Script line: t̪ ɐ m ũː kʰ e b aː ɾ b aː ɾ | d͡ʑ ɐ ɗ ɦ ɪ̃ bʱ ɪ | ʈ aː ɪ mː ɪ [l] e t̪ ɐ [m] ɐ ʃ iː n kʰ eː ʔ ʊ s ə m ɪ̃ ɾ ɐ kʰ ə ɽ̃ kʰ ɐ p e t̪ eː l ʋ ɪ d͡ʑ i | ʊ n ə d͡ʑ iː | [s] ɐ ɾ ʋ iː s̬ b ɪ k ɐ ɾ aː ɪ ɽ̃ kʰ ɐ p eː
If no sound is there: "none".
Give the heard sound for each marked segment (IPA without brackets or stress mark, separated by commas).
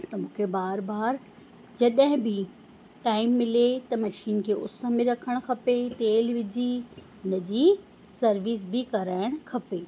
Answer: l, m, s